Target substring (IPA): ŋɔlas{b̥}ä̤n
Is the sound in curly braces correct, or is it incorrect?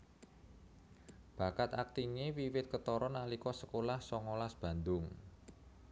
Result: correct